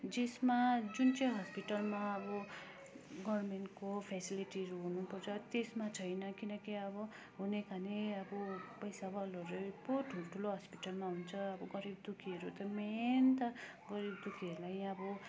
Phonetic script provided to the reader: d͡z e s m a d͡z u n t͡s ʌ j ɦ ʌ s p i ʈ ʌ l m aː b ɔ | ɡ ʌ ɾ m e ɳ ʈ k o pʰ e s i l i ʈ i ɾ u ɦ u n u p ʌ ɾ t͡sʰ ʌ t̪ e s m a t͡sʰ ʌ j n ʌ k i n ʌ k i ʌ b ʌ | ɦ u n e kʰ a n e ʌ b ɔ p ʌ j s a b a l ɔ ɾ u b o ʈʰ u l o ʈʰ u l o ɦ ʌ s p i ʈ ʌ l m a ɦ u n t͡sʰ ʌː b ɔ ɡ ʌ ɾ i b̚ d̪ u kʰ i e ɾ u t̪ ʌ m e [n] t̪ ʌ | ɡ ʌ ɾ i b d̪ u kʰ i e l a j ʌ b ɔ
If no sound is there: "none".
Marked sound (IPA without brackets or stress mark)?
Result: n